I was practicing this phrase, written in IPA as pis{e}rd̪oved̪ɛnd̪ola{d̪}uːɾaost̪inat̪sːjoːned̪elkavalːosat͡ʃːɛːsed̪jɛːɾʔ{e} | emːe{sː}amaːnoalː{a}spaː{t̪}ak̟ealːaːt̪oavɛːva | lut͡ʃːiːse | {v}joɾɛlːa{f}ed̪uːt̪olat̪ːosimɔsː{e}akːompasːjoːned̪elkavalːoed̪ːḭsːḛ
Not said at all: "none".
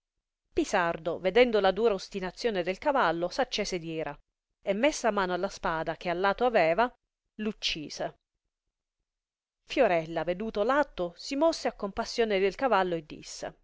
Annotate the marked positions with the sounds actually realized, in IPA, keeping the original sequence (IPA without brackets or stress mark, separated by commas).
a, d̪, a, sː, a, d̪, f, v, e